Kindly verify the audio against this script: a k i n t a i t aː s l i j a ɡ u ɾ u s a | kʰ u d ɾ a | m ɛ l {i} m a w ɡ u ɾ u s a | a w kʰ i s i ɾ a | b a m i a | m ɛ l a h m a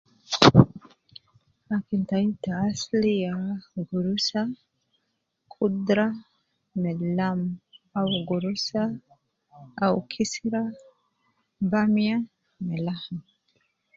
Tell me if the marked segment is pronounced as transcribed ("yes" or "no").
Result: no